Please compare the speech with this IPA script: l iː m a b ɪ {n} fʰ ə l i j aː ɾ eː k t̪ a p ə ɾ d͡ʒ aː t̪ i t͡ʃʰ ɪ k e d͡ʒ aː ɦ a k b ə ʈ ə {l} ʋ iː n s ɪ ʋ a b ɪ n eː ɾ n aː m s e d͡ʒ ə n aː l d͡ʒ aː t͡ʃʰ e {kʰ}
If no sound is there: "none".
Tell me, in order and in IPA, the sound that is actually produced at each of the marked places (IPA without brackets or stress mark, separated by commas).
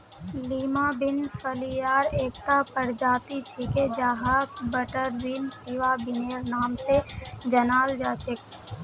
n, ɾ, k